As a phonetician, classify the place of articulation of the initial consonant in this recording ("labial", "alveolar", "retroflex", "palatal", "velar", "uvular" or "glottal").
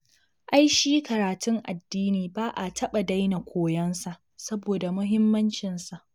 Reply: glottal